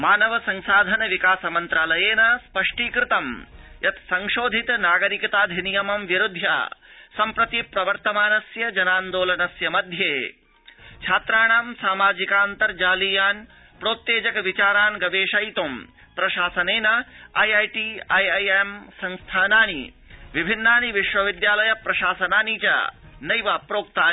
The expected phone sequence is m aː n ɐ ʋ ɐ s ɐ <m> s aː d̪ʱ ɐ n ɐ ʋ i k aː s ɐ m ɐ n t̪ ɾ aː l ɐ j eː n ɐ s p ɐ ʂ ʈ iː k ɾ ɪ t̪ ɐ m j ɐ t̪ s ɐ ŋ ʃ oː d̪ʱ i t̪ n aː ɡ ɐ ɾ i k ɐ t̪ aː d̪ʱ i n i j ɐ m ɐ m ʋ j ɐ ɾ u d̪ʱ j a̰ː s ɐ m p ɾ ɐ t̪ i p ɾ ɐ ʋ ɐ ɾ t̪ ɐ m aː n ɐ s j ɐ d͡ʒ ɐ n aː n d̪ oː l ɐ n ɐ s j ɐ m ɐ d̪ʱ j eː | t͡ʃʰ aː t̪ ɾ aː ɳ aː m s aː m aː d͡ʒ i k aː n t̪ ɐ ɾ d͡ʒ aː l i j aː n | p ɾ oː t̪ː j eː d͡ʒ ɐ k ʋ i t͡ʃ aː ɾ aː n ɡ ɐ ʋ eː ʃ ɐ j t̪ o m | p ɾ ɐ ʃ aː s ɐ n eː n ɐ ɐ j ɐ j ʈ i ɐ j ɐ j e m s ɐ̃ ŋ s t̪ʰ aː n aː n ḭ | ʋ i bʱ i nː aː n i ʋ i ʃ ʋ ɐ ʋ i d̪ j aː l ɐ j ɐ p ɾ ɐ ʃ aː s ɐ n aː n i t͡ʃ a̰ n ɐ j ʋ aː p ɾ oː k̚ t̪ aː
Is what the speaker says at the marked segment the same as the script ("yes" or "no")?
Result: no